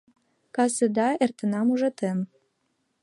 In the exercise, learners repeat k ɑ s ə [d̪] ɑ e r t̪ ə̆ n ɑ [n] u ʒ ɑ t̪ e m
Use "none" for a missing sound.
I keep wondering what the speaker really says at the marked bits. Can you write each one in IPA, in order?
d̪, m

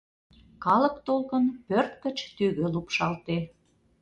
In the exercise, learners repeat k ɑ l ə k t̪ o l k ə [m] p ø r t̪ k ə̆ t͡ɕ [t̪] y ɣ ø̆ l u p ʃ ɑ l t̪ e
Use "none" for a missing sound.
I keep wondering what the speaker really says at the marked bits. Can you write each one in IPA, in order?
n, t̪

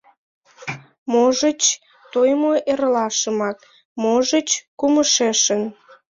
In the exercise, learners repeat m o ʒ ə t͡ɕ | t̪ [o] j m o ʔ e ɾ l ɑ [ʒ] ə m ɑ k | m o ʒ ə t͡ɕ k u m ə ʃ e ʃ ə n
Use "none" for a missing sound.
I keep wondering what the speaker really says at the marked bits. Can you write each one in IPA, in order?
o, ʃ

